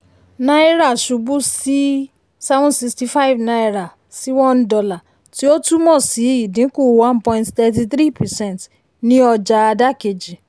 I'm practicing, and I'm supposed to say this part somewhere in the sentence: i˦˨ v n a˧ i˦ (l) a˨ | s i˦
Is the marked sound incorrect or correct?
incorrect